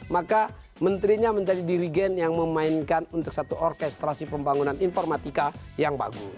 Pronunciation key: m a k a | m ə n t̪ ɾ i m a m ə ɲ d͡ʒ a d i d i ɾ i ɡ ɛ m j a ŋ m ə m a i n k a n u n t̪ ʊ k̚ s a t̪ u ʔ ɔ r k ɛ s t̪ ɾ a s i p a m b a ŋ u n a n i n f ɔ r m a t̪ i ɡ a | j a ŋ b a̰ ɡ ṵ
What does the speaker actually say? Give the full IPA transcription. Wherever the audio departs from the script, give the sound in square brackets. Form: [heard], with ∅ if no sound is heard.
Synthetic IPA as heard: m a k a | m ə n t̪ ɾ i [ɲ] a m ə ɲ d͡ʒ a d i d i ɾ i ɡ ɛ [n] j a ŋ m ə m a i n k a n u n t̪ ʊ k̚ s a t̪ u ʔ ɔ r k ɛ s t̪ ɾ a s i p [ə] m b a ŋ u n a n i n f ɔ r m a t̪ i [k] a | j a ŋ b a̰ ɡ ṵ